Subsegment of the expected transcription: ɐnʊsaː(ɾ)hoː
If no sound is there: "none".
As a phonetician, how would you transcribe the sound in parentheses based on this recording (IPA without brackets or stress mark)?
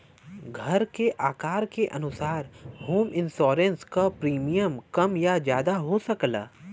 ɾ